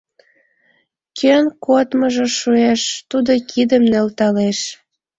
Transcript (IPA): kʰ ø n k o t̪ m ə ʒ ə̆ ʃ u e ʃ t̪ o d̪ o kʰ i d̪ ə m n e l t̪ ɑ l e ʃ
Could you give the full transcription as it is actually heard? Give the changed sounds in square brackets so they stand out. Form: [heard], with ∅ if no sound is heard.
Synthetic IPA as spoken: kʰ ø n k o t̪ m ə ʒ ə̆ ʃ u e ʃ t̪ [u] d̪ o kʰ i d̪ ə m n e l t̪ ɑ l e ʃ